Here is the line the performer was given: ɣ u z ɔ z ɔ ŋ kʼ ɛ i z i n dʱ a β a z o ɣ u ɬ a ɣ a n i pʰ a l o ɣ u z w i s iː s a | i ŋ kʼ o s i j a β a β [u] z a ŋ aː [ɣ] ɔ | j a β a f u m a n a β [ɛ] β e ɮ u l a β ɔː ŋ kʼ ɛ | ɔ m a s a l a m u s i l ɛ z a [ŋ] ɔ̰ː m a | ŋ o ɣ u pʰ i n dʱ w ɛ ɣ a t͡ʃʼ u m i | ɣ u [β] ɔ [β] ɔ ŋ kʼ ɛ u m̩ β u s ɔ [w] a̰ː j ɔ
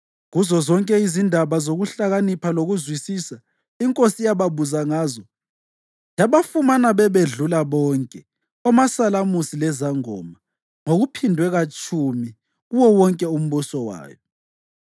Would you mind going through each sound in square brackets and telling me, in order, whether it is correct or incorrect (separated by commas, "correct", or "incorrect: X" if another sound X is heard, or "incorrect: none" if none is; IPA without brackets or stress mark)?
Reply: correct, incorrect: z, correct, correct, incorrect: w, incorrect: w, correct